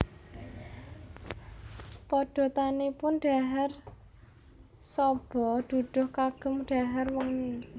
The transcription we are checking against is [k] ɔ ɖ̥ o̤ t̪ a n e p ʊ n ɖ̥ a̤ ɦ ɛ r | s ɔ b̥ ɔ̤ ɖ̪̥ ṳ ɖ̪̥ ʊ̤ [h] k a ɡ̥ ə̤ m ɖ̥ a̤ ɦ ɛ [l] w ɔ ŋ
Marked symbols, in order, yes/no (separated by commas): no, yes, no